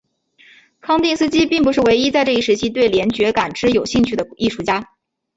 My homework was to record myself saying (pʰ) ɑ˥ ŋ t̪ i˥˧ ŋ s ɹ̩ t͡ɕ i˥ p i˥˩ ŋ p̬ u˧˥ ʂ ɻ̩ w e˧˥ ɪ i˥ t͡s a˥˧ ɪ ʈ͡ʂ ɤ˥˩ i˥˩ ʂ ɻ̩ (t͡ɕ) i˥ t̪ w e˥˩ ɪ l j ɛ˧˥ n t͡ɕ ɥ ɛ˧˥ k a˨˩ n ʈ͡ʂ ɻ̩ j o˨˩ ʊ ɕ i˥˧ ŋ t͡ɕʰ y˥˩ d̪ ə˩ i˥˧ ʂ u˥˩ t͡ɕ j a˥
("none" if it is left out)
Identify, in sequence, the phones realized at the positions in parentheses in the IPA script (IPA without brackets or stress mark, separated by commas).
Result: kʰ, t͡ɕʰ